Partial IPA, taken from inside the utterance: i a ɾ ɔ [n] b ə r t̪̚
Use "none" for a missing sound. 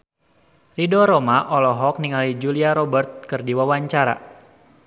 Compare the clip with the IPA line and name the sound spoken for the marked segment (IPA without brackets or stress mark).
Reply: none